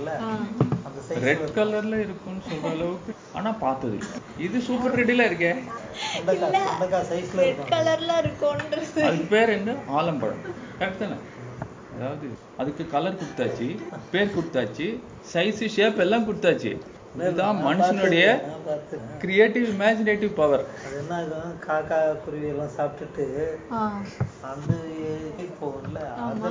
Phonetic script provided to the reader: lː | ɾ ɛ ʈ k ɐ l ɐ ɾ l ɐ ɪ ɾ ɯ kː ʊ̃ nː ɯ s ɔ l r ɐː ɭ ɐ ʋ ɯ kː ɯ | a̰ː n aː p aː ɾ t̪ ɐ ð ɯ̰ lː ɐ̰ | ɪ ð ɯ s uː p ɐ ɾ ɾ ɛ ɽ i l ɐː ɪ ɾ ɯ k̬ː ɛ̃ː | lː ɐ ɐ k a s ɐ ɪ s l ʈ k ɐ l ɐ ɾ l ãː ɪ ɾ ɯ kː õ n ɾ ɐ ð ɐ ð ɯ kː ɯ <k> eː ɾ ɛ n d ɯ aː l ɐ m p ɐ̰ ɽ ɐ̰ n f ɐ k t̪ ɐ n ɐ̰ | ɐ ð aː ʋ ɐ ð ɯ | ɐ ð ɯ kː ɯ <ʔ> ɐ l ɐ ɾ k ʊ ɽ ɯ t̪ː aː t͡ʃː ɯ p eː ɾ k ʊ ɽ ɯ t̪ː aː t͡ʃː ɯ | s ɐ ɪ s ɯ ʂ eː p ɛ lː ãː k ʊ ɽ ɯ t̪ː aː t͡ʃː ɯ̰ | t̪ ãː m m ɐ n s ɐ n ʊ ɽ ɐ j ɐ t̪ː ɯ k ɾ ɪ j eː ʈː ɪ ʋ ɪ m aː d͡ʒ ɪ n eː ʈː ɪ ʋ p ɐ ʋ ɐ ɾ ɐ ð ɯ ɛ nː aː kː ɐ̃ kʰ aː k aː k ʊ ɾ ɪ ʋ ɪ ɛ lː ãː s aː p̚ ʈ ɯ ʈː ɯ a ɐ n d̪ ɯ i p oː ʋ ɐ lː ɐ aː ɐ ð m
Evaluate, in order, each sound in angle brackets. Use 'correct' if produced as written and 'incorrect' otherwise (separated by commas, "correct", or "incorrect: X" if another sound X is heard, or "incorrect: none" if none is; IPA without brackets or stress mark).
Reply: incorrect: p, incorrect: k